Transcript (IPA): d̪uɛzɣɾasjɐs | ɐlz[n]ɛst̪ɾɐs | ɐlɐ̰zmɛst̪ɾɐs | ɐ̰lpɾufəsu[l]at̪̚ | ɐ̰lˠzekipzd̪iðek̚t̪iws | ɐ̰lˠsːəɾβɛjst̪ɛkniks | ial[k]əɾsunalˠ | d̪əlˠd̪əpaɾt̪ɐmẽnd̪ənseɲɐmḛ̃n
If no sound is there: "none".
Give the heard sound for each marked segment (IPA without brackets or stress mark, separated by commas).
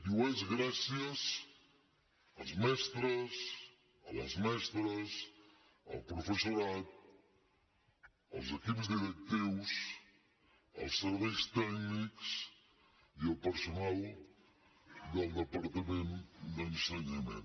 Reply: m, ɾ, p